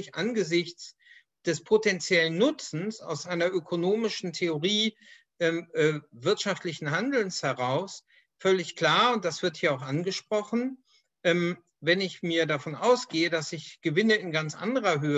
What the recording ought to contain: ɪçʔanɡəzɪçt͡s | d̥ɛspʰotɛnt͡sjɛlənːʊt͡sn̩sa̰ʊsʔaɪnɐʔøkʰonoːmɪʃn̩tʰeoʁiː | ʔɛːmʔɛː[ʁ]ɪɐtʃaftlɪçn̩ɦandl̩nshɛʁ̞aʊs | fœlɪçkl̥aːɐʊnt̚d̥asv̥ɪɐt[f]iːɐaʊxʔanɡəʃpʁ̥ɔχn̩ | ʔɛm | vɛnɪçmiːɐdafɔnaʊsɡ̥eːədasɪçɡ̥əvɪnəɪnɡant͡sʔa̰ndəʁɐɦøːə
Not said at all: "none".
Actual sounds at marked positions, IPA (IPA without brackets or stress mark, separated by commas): v, h